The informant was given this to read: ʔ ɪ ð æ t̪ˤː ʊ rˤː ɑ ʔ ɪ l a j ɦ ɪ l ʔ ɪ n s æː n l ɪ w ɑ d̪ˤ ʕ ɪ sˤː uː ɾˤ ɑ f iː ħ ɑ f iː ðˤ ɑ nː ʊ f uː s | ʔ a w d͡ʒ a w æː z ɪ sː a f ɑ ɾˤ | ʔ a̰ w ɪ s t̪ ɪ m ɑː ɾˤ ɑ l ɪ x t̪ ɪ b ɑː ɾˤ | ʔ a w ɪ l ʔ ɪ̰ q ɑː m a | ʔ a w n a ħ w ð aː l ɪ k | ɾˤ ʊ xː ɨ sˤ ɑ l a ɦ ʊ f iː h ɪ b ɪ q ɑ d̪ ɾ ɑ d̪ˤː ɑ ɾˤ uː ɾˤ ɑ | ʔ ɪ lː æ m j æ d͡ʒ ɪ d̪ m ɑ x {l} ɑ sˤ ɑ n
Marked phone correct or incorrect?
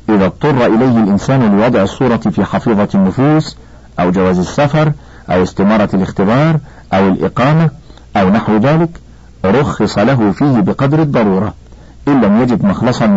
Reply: correct